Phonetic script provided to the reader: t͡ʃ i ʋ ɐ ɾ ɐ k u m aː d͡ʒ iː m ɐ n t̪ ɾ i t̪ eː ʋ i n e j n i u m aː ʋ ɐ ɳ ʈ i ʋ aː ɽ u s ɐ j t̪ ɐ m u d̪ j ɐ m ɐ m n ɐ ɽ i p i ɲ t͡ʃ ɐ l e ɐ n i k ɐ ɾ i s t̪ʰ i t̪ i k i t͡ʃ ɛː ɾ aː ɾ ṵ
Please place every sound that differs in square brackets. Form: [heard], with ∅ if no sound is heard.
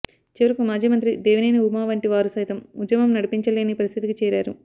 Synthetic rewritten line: t͡ʃ i ʋ ɐ ɾ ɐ k u m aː d͡ʒ iː m ɐ n t̪ ɾ i [d̪] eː ʋ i n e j n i u m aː ʋ ɐ ɳ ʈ i ʋ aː [ɾ] u s ɐ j t̪ ɐ m u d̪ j ɐ m ɐ m n ɐ ɽ i p i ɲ t͡ʃ ɐ l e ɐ n i [p] ɐ ɾ i s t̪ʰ i t̪ i k i t͡ʃ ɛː ɾ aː ɾ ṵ

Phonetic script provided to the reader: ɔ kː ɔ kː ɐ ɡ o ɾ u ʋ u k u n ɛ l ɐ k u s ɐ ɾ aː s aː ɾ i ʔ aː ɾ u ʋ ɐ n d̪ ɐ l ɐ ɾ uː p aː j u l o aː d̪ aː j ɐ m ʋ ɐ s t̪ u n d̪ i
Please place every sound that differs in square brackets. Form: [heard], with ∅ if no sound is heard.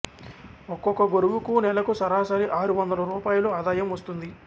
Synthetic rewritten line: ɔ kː ɔ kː ɐ ɡ o ɾ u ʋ u k u n ɛ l ɐ k u s ɐ ɾ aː s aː ɾ i ʔ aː ɾ u ʋ ɐ n d̪ ɐ l ɐ ɾ uː p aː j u l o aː d̪ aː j ɐ m ʋ ɐ s t̪ u n d̪ i

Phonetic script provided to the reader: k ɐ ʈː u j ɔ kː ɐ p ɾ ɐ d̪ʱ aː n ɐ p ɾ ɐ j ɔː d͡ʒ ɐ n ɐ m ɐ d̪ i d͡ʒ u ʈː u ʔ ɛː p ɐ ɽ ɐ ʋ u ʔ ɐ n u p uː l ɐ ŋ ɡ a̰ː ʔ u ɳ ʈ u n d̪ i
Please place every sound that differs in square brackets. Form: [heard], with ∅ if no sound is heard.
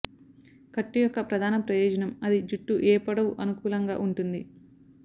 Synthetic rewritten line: k ɐ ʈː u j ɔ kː ɐ p ɾ ɐ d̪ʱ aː n ɐ p ɾ ɐ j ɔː d͡ʒ ɐ n ɐ m ɐ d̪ i d͡ʒ u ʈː u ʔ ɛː p ɐ ɽ ɐ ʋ u ʔ ɐ n u [k] uː l ɐ ŋ ɡ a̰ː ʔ u ɳ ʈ u n d̪ i

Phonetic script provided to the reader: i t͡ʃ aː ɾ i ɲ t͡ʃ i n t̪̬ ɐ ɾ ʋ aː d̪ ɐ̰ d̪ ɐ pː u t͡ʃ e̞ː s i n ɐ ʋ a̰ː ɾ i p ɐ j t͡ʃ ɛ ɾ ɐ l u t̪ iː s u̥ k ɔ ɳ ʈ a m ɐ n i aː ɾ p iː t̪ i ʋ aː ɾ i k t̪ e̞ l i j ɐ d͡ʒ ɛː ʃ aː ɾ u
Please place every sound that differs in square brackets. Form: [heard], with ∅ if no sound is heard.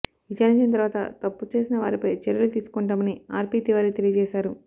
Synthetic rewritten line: i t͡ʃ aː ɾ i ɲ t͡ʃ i n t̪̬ ɐ ɾ ʋ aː [t̪] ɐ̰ [t̪] ɐ pː u t͡ʃ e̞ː s i n ɐ ʋ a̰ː ɾ i p ɐ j t͡ʃ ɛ ɾ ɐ l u t̪ iː s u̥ k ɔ ɳ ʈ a m ɐ n i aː ɾ p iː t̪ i ʋ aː ɾ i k t̪ e̞ l i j ɐ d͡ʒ ɛː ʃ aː ɾ u

